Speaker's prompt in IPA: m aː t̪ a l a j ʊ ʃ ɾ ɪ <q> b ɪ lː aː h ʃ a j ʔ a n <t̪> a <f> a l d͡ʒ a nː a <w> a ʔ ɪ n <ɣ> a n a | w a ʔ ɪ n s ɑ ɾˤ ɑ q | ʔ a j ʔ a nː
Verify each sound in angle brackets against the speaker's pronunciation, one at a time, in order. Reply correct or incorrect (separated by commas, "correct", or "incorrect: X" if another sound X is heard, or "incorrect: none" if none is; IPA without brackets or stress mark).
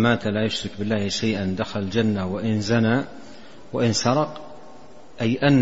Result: incorrect: k, incorrect: d̪, incorrect: x, correct, incorrect: z